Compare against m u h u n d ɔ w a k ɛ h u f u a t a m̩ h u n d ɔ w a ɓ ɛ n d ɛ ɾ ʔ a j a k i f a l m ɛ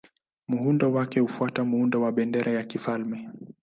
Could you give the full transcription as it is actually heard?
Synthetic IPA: m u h u n d ɔ w a k ɛ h u f u a t a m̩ h u n d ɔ w a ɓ ɛ n d ɛ ɾ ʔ a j a k i f a l m ɛ